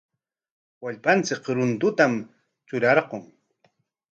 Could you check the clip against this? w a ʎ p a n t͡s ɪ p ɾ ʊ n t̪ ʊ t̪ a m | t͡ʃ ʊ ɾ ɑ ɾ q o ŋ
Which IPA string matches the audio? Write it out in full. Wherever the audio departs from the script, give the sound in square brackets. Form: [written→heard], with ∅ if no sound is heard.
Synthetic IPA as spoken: w a ʎ p a n t͡s ɪ [p→k] ɾ ʊ n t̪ ʊ t̪ a m | t͡ʃ ʊ ɾ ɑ ɾ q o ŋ